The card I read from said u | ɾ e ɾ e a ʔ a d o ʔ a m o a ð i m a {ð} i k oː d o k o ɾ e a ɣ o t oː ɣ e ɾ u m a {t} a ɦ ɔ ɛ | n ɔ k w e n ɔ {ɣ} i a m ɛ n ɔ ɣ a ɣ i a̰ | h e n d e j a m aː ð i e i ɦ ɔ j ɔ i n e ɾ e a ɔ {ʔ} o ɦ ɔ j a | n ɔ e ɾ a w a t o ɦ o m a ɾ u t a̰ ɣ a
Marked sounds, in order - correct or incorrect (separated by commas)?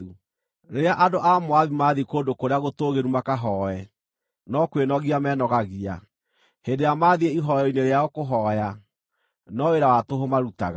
correct, incorrect, correct, incorrect